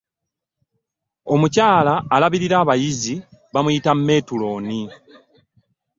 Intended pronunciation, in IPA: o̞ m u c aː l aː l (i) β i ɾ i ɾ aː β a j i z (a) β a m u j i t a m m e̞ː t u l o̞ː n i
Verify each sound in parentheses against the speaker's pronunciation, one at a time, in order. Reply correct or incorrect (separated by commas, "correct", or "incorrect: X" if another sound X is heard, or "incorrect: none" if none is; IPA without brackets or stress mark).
incorrect: a, incorrect: i